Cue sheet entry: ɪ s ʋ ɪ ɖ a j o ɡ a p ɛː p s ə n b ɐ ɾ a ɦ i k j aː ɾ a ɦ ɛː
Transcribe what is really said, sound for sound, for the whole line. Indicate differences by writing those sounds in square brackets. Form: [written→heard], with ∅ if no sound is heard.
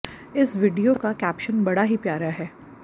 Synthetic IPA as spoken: ɪ s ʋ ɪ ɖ [a→i] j o [ɡ→k] a [p→k] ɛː p [s→ʃ] ə n b ɐ [ɾ→ɽ] a ɦ i [k→p] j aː ɾ a ɦ ɛː